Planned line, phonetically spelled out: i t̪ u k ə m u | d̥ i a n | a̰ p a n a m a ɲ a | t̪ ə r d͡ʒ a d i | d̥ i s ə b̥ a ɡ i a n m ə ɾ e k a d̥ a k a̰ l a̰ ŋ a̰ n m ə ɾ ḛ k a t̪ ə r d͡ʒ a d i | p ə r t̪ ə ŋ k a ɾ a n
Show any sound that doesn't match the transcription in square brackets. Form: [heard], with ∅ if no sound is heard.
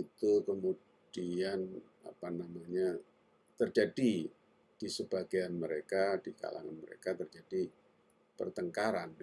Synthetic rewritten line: i t̪ u k ə m u | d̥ i a n | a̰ p a n a m a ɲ a | t̪ ə r d͡ʒ a d i | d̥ i s ə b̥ a ɡ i a n m ə ɾ e k a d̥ [i] k a̰ l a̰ ŋ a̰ n m ə ɾ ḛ k a t̪ ə r d͡ʒ a d i | p ə r t̪ ə ŋ k a ɾ a n